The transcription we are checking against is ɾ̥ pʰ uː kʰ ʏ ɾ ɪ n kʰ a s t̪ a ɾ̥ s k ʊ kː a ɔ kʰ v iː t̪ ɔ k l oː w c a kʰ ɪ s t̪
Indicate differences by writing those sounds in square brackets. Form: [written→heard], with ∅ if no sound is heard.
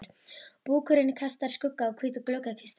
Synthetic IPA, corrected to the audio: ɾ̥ [pʰ→p] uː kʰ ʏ ɾ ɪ n kʰ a s t̪ a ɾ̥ s k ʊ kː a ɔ kʰ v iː t̪ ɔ k l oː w [c→k] a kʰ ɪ s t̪